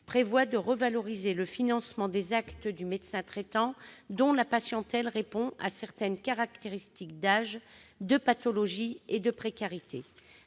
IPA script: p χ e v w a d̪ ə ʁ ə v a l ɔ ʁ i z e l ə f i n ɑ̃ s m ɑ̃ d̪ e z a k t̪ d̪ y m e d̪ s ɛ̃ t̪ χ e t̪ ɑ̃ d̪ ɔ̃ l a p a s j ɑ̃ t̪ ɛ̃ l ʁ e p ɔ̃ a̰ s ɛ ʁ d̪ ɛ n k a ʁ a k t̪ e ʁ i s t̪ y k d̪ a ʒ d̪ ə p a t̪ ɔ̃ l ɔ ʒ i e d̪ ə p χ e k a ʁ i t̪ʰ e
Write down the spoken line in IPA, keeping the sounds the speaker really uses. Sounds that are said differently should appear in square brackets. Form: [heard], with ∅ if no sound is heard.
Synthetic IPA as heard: p χ e v w a d̪ ə ʁ ə v a l ɔ ʁ i z e l ə f i n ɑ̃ s m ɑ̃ d̪ e z a k t̪ d̪ y m e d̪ s ɛ̃ t̪ χ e t̪ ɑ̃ d̪ ɔ̃ l a p a s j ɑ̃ t̪ [ɛ] l ʁ e p ɔ̃ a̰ s ɛ ʁ [t̪] ɛ n k a ʁ a k t̪ e ʁ i s t̪ [i] k d̪ a ʒ d̪ ə p a t̪ [ɔ] l ɔ ʒ i e d̪ ə p χ e k a ʁ i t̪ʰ e